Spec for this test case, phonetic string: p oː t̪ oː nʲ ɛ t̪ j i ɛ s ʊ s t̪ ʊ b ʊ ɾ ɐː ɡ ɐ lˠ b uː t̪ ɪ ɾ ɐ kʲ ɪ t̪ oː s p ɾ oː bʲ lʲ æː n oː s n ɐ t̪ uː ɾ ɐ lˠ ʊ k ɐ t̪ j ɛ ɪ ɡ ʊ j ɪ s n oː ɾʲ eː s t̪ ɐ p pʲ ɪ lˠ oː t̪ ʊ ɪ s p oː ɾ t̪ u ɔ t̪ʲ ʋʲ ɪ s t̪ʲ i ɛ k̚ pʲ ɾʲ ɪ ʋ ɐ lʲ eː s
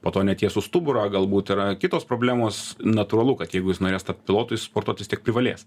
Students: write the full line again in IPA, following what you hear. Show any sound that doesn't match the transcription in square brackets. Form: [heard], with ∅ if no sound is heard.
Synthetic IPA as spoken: p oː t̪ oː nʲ ɛ t̪ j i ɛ s ʊ s t̪ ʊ b ʊ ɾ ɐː ɡ ɐ lˠ b uː t̪ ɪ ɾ ɐ kʲ ɪ t̪ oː s p ɾ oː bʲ lʲ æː [m] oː s n ɐ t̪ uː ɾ ɐ lˠ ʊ k ɐ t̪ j ɛ ɪ ɡ ʊ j ɪ s n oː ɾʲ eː s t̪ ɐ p pʲ ɪ lˠ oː t̪ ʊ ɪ s p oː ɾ t̪ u ɔ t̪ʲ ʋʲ ɪ s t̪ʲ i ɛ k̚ pʲ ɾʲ ɪ ʋ ɐ lʲ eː s